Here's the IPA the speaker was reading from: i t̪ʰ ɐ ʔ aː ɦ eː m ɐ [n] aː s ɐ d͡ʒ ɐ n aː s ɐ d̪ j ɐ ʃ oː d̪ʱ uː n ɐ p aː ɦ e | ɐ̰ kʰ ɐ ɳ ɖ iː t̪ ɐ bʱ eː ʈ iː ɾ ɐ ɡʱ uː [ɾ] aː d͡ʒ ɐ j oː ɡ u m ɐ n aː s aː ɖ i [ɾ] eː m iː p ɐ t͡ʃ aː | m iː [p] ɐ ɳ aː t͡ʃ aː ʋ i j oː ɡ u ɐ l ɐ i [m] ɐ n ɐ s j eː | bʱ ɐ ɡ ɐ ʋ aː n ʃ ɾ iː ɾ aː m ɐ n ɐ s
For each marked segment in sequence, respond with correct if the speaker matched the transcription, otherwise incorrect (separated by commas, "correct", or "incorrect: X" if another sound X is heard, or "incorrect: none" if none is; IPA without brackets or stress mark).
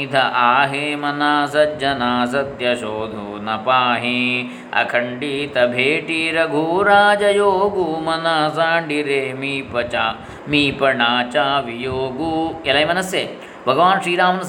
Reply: correct, correct, correct, correct, correct